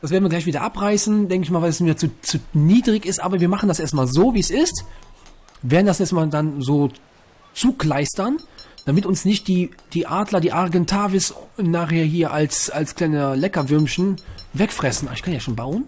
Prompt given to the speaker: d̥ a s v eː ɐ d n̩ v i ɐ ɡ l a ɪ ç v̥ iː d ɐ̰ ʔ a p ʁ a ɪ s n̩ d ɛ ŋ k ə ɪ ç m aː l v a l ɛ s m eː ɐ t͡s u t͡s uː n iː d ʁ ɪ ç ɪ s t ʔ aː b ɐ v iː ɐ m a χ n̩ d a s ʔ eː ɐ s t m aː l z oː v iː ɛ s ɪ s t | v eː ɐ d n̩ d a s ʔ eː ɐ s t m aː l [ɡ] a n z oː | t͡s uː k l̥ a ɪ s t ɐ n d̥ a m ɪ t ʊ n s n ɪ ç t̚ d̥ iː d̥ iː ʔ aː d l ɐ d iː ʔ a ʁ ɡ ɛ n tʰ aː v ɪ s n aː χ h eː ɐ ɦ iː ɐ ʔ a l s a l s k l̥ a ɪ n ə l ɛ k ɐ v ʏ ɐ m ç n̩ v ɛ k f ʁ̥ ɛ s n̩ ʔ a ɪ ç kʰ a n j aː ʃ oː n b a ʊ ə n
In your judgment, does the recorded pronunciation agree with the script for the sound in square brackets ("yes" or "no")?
no